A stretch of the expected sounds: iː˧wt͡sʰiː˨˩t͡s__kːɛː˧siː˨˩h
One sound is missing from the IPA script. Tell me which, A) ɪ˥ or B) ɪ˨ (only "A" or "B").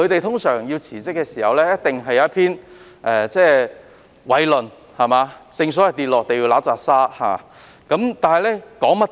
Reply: A